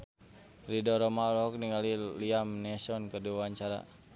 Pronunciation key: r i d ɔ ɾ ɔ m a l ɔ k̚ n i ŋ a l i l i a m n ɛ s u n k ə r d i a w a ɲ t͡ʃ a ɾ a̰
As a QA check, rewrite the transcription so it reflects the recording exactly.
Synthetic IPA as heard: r i d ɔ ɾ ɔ m a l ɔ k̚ n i ŋ a l i l i a m n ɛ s ɔ n k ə r d i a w a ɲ t͡ʃ a ɾ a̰